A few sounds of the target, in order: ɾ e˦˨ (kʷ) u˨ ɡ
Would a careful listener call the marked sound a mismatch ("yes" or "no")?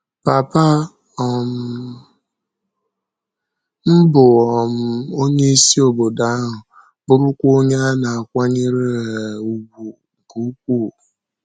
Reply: yes